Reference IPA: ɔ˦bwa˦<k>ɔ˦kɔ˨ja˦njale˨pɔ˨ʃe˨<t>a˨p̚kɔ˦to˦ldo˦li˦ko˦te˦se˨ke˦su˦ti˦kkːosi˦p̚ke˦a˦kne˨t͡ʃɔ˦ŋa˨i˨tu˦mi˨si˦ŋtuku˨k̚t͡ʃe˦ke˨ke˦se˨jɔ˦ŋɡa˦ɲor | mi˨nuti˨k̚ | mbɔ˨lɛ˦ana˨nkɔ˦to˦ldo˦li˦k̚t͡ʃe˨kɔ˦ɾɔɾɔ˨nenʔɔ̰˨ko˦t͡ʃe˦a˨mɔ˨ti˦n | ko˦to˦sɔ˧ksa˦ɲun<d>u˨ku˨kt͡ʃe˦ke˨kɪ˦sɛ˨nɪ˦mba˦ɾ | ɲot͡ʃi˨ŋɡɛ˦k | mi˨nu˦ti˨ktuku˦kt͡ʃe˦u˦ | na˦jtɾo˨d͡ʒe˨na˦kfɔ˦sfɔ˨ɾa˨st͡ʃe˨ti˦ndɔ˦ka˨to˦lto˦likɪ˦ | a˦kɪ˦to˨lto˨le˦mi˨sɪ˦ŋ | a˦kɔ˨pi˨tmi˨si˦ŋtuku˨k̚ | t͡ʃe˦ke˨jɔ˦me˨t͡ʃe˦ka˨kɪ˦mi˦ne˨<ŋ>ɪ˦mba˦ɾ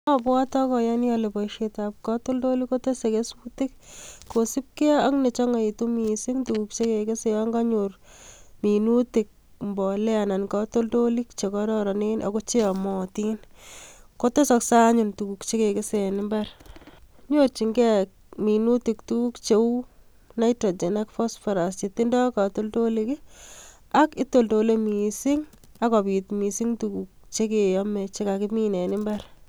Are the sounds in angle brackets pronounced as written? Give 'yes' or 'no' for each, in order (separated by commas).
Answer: no, yes, no, no